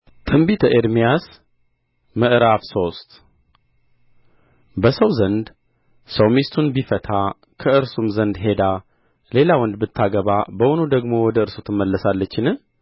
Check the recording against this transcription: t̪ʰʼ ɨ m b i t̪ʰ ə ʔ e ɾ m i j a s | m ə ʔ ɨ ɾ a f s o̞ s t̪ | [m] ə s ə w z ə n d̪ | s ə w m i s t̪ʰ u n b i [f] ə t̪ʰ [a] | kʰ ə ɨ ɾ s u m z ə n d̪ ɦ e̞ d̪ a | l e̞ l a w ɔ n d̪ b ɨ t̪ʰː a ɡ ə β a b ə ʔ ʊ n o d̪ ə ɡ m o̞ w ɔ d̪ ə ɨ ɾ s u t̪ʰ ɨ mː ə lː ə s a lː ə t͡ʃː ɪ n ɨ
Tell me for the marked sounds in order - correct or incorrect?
incorrect: b, correct, correct

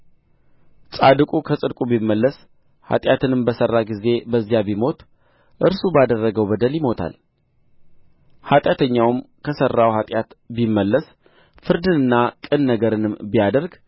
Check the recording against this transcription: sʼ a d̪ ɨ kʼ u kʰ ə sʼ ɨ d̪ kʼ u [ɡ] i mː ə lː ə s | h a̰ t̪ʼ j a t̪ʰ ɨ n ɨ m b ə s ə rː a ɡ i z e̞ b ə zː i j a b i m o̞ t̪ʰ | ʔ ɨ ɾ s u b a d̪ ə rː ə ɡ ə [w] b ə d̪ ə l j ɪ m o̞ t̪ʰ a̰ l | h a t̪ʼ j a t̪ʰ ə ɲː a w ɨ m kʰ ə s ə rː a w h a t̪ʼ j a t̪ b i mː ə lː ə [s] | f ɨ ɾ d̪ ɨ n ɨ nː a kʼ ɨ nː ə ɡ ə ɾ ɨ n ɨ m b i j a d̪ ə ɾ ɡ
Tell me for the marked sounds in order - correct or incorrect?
incorrect: b, correct, correct

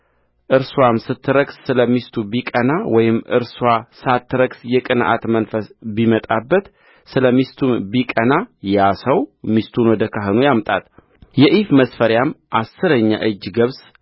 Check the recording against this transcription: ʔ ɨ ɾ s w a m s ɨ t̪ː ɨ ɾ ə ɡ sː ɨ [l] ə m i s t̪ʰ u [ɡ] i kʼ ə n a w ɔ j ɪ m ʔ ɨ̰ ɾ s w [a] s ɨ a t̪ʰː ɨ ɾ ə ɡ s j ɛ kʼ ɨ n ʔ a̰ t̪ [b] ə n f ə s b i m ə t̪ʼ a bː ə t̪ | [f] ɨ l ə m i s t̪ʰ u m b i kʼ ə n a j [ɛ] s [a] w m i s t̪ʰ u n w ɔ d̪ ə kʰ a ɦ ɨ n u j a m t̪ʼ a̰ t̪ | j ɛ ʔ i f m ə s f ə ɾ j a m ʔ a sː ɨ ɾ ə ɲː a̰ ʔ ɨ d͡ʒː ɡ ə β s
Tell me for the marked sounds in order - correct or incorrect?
correct, incorrect: b, correct, incorrect: m, incorrect: s, incorrect: a, incorrect: ə

